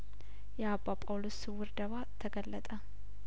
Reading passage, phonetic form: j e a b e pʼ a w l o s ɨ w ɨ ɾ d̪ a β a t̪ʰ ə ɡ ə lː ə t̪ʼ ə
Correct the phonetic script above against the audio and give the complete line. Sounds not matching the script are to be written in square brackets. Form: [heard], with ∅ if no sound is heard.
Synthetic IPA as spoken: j [ɛ] a b [a] pʼ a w l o s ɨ w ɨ ɾ d̪ [ə] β a t̪ʰ ə ɡ ə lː ə t̪ʼ ə